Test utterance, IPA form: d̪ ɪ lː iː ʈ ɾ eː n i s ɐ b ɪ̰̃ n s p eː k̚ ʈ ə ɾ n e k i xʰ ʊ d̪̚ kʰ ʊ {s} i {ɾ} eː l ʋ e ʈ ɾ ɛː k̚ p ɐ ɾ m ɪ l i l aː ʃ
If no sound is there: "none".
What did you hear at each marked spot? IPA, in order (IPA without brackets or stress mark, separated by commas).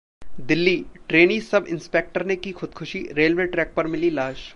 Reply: ʃ, ɾ